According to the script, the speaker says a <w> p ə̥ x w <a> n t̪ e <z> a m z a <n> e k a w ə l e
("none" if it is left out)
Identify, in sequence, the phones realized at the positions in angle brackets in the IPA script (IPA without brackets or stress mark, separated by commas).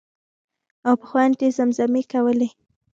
w, a, z, m